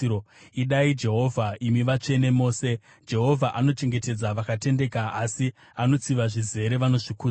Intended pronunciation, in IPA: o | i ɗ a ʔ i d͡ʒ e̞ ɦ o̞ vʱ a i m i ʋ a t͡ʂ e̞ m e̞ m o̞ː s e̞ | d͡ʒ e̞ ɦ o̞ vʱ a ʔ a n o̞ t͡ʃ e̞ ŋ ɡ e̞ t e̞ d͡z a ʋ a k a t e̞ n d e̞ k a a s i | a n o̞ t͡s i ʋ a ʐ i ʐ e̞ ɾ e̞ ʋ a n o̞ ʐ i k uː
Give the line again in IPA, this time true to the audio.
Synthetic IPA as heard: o | i ɗ a i d͡ʒ e̞ ɦ o̞ vʱ a i m i ʋ a t͡ʂ e̞ n e̞ m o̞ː s e̞ | d͡ʒ e̞ ɦ o̞ vʱ a ʔ a n o̞ t͡ʃ e̞ ŋ ɡ e̞ t e̞ d͡z a ʋ a k a t e̞ n d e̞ k a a s i | a n o̞ t͡s i ʋ a ʐ i z e̞ ɾ e̞ ʋ a n o̞ ʐ i k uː